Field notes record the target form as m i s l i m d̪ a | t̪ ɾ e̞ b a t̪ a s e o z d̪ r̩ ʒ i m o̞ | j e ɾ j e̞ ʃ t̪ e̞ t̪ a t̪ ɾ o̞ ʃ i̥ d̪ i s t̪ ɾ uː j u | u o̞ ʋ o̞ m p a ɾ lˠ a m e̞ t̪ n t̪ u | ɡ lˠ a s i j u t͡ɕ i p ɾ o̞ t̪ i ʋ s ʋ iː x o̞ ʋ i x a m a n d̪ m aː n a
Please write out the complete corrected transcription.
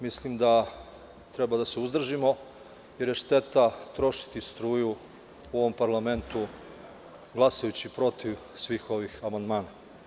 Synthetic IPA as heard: m i s l i m d̪ a | t̪ ɾ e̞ b a d̪ a s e u z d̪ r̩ ʒ i m o̞ | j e ɾ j e̞ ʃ t̪ e̞ t̪ a t̪ ɾ o̞ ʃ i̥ t̪ i s t̪ ɾ uː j u | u o̞ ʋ o̞ m p a ɾ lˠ a m e̞ n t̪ u | ɡ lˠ a s a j u t͡ɕ i p ɾ o̞ t̪ i ʋ s ʋ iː x o̞ ʋ i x a m a n d̪ m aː n a